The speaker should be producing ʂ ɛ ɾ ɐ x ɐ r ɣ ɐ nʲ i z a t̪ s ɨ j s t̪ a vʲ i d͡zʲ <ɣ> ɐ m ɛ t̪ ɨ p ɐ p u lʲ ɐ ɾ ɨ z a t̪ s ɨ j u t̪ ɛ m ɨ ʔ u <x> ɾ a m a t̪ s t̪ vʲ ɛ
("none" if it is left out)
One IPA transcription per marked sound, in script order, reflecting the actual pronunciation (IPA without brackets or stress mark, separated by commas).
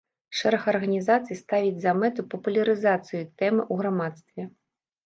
z, ɣ